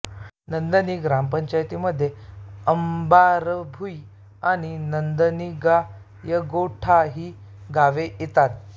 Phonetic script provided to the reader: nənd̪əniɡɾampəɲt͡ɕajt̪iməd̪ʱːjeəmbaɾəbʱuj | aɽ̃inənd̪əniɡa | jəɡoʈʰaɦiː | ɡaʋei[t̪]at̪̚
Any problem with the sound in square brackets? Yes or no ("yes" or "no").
no